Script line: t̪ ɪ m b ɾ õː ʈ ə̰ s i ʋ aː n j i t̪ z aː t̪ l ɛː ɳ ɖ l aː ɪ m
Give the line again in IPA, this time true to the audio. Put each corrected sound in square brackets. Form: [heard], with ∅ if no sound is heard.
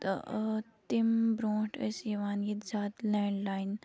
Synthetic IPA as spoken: t̪ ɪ m b ɾ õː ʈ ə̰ s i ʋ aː n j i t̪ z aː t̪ l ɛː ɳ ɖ l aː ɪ [n]